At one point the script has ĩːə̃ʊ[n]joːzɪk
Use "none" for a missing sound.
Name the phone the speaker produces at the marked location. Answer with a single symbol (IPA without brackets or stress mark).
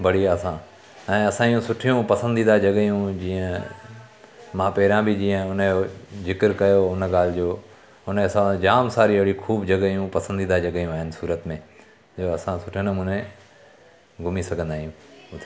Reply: n